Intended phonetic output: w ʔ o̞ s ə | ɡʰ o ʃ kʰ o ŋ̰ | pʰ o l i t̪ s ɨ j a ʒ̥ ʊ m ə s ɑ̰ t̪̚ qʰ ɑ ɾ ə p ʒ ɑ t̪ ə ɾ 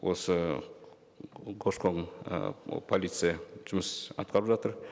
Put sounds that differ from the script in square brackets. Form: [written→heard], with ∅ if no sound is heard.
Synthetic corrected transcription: w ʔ o̞ s ə | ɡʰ o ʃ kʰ o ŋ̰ | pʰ o l i t̪ s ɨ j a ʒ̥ ʊ m ə s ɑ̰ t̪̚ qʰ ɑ ɾ ə p ʒ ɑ t̪ ə ɾ